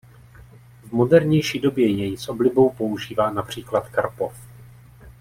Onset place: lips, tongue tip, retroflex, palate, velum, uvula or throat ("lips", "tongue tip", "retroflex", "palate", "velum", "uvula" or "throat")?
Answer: lips